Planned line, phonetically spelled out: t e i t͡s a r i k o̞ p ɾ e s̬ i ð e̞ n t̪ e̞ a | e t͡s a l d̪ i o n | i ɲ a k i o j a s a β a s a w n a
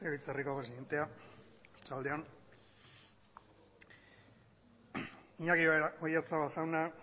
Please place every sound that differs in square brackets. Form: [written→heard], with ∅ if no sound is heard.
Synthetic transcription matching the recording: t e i t͡s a r i k o̞ p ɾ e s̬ i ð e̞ n t̪ e̞ a | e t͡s a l d̪ [i→e] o n | i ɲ a k i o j a [s→t͡s] a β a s a w n a